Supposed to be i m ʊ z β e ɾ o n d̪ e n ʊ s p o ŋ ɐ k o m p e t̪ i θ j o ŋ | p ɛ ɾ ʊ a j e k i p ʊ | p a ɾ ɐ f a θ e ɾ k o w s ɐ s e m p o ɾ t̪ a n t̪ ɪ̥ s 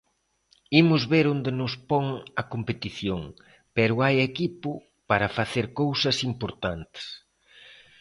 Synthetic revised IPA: i m ʊ z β e ɾ o n d̪ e n ʊ s p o ŋ ɐ k o m p e t̪ i θ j o ŋ | p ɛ ɾ ʊ a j e k i p ʊ | p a ɾ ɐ f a θ e ɾ k o w s ɐ s i m p o ɾ t̪ a n t̪ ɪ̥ s